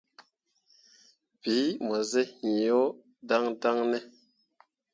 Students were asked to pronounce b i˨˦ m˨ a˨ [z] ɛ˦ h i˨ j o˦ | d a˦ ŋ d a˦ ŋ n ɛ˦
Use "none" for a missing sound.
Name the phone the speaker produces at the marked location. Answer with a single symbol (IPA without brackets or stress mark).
z